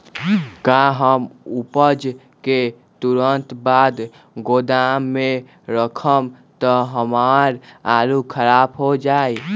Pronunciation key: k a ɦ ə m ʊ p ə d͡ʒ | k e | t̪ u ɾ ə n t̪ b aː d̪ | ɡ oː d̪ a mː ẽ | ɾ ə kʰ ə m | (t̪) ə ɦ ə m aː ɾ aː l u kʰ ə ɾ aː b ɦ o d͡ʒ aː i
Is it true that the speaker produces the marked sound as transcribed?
yes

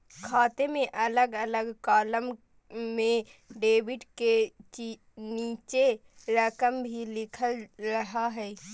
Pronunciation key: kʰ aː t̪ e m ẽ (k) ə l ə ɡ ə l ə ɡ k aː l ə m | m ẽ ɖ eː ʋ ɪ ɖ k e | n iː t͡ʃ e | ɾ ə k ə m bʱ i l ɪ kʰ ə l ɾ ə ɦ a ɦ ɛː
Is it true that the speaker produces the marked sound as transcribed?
no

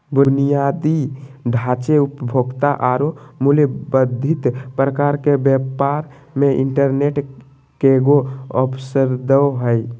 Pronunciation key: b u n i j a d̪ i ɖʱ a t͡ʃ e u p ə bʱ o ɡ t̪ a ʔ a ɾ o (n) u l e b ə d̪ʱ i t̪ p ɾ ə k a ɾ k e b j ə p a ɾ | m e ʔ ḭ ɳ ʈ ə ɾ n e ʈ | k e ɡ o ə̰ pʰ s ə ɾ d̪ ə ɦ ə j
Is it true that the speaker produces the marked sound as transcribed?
no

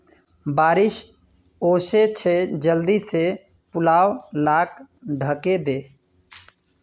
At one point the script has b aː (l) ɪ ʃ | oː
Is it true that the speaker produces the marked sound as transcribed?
no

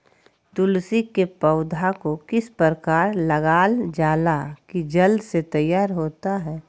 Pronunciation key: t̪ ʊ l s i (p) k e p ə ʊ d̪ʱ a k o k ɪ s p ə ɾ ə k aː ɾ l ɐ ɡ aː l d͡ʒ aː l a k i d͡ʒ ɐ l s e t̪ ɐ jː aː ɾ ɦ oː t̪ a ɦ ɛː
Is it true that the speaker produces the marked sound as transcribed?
no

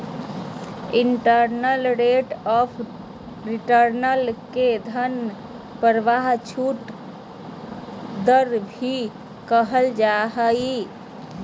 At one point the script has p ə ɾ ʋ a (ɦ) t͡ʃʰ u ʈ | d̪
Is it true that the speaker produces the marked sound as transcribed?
yes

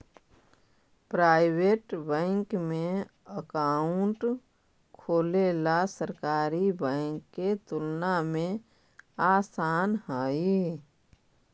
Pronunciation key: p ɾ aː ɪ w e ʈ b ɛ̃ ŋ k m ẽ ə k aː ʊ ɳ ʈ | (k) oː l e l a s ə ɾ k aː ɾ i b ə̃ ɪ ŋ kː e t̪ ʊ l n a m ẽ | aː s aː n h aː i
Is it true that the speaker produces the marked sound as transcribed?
no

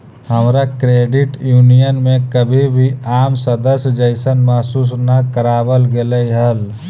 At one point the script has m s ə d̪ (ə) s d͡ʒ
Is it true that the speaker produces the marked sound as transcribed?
yes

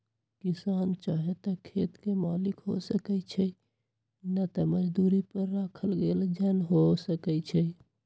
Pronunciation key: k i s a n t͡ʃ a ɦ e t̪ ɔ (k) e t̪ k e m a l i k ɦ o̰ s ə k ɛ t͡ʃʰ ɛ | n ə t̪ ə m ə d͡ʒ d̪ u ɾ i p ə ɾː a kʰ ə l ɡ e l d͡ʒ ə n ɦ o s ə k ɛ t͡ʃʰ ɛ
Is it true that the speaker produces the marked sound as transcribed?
no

